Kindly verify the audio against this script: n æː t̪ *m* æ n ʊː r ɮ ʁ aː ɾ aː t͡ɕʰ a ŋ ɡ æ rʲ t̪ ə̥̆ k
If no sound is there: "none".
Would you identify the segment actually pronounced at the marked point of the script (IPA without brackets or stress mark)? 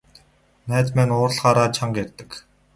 m